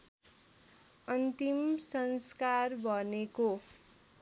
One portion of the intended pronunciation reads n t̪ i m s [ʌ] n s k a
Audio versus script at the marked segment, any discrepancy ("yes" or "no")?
no